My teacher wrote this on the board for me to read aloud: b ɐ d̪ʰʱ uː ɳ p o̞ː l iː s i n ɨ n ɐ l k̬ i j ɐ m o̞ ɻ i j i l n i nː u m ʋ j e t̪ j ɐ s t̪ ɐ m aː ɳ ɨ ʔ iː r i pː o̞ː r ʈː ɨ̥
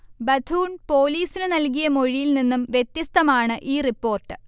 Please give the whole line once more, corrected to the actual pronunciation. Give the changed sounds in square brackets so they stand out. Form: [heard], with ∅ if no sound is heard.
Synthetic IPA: b ɐ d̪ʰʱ uː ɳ p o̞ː l iː s i n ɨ n ɐ l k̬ i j ɐ m o̞ ɻ i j i l n i nː u m ʋ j e t̪ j ɐ s t̪ ɐ m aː ɳ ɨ ʔ iː r i pː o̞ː r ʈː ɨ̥